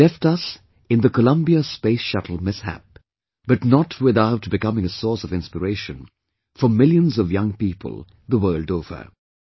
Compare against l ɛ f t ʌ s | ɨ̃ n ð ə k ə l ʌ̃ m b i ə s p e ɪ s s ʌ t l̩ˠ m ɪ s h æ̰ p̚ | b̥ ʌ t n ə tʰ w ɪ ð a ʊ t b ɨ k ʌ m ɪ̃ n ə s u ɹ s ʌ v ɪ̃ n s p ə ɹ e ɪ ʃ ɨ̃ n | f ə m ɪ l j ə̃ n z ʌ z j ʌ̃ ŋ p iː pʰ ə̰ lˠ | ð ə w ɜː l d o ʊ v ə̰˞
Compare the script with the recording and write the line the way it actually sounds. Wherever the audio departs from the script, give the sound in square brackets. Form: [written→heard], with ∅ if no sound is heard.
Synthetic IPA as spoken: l ɛ f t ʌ s | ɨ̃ n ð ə k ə l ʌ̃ m b i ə s p e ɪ s [s→ʃ] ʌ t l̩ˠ m ɪ s h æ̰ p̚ | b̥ ʌ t n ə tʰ w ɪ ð a ʊ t b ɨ k ʌ m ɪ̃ [n→ŋ] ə s [u→ɔ] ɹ s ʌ v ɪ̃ n s p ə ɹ e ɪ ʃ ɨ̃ n | f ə m ɪ l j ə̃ n z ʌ [z→v] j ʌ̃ ŋ p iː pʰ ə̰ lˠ | ð ə w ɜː l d o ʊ v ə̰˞